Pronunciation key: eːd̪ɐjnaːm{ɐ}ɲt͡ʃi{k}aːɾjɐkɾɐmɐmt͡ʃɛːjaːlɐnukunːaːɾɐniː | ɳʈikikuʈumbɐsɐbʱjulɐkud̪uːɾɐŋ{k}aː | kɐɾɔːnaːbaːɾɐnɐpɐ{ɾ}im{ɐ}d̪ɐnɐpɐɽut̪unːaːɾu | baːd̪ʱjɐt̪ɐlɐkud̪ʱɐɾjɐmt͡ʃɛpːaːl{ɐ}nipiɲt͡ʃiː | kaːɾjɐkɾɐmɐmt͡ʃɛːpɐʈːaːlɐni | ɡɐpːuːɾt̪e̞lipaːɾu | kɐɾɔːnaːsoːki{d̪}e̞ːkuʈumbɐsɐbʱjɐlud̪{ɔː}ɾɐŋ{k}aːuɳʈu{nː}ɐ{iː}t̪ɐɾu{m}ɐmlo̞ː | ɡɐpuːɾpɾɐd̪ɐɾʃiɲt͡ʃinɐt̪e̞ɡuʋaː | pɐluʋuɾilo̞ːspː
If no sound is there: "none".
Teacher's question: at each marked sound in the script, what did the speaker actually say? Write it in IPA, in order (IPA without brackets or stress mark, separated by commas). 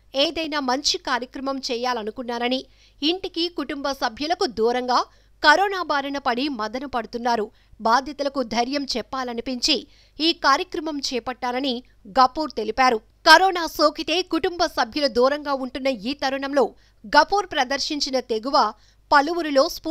ɐ, k, ɡ, ɽ, ɐ, ɐ, t̪, uː, ɡ, nː, iː, ɳ